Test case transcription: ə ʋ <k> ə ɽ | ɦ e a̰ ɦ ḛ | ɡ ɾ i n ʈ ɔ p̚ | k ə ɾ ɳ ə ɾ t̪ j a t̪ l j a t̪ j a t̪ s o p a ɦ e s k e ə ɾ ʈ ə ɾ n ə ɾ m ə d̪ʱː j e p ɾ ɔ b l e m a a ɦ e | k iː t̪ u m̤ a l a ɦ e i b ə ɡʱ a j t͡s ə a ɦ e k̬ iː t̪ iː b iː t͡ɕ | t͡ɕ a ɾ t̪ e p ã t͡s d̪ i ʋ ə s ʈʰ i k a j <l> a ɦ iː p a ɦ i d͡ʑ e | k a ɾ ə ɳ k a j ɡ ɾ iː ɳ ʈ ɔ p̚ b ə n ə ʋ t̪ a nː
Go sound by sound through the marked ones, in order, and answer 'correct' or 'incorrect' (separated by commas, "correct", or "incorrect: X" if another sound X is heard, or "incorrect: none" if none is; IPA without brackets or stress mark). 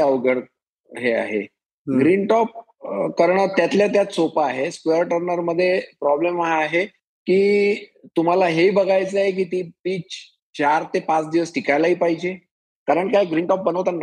incorrect: ɡ, correct